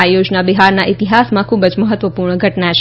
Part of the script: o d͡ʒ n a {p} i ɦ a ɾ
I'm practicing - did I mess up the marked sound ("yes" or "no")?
yes